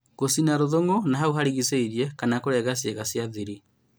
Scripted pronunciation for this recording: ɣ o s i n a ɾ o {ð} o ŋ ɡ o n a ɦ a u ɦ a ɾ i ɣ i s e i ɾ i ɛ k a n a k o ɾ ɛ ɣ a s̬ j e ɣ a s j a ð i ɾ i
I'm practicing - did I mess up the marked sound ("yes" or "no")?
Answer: no